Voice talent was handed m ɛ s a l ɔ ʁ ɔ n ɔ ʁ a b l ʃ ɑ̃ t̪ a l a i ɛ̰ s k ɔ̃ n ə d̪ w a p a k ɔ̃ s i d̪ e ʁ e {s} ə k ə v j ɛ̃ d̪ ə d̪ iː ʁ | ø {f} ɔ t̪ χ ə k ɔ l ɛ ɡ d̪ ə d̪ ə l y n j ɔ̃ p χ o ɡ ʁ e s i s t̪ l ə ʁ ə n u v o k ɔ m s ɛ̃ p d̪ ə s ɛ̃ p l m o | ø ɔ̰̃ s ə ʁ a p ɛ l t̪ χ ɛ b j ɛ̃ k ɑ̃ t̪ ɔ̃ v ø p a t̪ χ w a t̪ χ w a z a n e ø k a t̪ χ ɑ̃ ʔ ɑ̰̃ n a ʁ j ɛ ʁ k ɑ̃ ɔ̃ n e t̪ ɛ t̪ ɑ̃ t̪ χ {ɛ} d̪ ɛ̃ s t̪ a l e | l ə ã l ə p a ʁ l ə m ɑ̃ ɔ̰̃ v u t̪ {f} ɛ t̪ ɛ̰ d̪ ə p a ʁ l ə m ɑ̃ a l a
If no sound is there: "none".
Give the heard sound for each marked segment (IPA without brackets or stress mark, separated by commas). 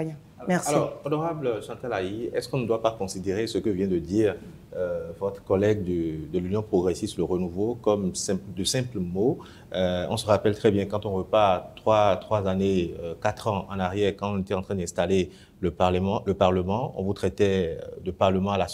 s, v, ɛ̃, χ